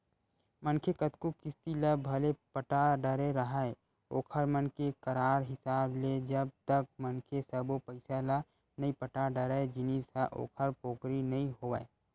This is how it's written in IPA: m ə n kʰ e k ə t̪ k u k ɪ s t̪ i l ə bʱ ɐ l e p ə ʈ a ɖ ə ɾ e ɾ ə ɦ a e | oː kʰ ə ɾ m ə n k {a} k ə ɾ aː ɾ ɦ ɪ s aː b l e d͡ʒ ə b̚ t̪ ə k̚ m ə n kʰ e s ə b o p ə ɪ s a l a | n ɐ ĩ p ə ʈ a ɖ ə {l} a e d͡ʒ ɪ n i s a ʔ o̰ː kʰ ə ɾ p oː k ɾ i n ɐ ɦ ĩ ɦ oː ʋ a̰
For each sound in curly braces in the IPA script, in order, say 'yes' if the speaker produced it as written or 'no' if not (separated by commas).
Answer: no, no